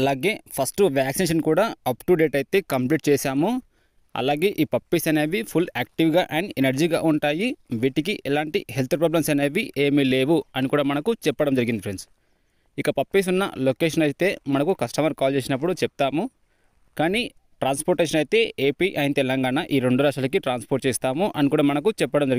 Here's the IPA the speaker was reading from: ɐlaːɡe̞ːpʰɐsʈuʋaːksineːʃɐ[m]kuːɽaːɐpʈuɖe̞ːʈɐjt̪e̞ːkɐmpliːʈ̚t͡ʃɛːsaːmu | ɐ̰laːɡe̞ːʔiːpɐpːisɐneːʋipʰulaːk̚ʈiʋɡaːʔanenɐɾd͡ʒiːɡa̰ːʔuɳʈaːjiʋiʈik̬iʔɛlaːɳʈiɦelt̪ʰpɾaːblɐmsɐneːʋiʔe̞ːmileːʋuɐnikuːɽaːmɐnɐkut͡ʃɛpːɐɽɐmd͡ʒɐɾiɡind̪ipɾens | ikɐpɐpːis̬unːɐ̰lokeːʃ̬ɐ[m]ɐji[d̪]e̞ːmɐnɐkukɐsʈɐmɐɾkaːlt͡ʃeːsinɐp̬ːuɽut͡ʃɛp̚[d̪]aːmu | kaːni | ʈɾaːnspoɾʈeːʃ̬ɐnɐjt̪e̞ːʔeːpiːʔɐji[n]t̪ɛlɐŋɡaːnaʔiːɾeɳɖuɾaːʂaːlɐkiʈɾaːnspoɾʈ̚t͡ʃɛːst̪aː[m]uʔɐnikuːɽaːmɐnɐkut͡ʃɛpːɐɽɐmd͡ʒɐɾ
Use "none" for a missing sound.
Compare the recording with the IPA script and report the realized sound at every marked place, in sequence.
n, n, t̪, t̪, n, m

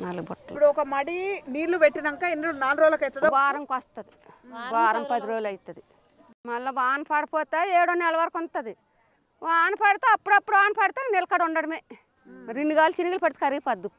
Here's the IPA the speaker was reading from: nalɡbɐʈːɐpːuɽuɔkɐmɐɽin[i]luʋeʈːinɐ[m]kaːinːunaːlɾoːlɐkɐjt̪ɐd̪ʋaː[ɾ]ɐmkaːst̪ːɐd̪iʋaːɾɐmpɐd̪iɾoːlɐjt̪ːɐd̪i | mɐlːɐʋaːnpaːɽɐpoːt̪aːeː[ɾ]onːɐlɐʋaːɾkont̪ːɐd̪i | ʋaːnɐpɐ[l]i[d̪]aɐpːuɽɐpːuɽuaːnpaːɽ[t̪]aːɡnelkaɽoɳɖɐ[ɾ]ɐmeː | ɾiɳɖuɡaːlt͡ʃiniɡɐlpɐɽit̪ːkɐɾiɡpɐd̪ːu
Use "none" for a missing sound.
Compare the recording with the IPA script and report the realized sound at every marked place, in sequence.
iː, ŋ, ɾ, ɽ, ɽ, t̪, t̪, ɽ

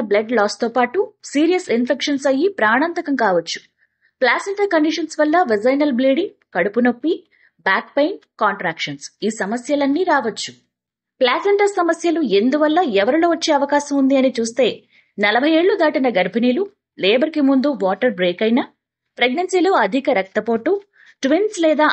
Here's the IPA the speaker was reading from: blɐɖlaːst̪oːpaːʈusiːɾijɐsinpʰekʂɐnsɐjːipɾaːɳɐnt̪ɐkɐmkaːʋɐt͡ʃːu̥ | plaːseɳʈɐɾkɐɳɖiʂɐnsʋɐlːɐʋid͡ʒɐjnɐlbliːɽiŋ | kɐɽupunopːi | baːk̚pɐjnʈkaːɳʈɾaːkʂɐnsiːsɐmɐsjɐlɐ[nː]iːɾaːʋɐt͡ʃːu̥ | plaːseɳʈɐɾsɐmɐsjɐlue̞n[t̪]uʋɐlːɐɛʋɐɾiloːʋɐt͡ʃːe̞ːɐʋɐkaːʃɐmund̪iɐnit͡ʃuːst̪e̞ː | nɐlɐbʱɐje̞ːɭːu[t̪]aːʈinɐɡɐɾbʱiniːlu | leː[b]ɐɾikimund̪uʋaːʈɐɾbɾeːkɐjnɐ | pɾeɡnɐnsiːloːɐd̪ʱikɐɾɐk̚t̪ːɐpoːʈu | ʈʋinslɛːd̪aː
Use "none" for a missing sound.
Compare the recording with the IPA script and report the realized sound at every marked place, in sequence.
nː, d̪, d̪, b

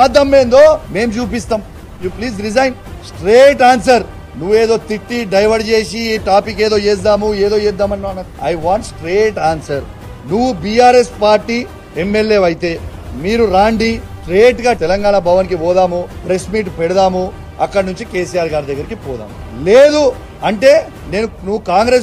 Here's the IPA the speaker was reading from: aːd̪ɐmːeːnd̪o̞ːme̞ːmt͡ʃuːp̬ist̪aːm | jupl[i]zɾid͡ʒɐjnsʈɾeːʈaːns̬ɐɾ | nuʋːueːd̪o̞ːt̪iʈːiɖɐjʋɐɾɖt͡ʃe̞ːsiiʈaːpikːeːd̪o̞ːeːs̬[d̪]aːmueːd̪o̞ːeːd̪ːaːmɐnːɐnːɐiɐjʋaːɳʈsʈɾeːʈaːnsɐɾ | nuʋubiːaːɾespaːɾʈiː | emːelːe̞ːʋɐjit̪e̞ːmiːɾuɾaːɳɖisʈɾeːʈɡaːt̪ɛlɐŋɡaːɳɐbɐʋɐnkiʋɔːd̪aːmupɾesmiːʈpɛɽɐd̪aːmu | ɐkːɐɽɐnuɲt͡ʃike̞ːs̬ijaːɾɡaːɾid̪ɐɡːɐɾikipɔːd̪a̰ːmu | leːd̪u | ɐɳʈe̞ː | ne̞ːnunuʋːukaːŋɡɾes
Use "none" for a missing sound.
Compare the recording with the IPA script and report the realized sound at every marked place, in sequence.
iː, d̪

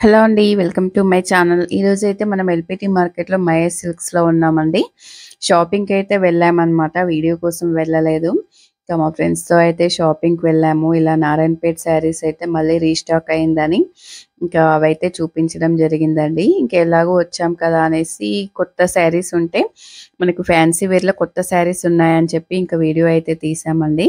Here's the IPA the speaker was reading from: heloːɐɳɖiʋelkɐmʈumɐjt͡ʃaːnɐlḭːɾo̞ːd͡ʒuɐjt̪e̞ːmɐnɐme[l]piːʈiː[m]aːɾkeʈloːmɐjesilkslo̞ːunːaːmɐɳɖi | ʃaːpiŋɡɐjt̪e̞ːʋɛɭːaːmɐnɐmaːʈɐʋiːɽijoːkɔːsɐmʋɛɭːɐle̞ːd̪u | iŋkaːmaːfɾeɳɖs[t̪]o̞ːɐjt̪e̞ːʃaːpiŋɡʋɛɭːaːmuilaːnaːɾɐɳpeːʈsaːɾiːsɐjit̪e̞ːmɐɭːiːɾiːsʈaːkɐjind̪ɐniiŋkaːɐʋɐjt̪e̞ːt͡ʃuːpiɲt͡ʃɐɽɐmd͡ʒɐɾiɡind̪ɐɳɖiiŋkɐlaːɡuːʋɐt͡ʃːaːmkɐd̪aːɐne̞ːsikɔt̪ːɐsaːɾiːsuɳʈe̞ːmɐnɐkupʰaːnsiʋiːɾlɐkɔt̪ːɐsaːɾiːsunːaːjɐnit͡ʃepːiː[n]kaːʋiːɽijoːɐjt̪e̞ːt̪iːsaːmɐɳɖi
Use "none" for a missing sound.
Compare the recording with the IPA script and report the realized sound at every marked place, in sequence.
l, m, t̪, ŋ

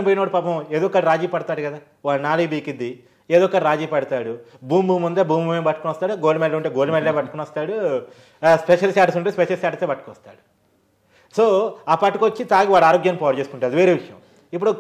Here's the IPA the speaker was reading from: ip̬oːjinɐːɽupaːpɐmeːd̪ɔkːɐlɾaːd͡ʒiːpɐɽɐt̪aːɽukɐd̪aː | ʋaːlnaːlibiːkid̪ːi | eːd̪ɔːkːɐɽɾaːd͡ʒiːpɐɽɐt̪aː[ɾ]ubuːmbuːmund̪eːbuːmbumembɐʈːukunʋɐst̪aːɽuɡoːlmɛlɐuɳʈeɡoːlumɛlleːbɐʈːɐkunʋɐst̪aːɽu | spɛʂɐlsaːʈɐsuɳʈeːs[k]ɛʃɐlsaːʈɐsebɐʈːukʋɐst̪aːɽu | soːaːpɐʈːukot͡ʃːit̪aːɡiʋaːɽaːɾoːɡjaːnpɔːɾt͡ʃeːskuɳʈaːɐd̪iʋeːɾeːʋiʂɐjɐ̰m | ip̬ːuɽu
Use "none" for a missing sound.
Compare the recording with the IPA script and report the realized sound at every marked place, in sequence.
ɽ, p

